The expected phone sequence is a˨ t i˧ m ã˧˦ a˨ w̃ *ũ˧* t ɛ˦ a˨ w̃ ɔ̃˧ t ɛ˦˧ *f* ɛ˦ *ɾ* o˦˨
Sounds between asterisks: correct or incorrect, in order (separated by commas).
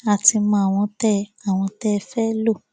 incorrect, correct, incorrect